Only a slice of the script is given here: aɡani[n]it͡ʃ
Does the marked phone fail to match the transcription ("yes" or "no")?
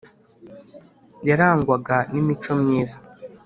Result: yes